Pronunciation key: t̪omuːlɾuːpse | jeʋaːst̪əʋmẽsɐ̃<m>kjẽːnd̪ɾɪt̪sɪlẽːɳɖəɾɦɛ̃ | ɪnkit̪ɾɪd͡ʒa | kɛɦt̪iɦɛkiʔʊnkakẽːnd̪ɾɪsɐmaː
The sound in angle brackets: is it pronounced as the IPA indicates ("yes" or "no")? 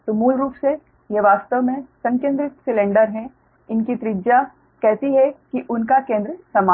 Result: no